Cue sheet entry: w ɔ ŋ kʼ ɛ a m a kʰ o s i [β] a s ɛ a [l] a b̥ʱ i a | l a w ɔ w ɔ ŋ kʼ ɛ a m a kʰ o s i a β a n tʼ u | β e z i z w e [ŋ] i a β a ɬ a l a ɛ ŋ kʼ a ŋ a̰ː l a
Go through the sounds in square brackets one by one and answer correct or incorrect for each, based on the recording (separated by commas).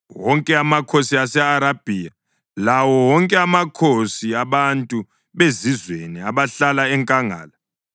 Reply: incorrect, incorrect, incorrect